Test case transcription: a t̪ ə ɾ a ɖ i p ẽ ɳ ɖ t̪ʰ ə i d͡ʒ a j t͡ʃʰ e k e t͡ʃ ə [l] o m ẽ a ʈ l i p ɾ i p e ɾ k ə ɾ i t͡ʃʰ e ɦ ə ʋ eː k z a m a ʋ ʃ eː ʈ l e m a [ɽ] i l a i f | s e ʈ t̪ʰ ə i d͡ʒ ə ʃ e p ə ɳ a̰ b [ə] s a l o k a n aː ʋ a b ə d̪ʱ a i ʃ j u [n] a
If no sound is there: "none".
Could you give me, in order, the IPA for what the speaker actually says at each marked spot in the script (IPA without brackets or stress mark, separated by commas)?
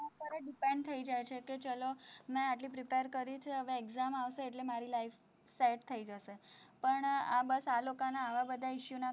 l, ɾ, ə, n